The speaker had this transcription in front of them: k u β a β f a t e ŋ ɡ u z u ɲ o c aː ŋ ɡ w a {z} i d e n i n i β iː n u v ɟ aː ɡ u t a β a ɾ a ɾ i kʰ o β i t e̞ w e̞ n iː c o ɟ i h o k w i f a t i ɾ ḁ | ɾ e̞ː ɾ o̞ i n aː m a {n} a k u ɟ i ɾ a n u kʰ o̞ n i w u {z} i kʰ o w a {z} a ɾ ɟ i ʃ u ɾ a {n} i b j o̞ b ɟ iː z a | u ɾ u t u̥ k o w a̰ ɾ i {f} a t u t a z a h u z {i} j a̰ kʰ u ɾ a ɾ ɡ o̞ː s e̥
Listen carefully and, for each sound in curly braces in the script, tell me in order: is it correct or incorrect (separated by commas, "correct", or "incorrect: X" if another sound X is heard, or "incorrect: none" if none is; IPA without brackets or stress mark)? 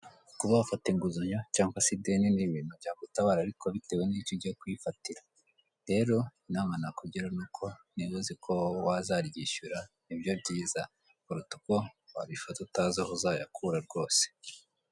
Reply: incorrect: s, correct, correct, correct, correct, correct, incorrect: a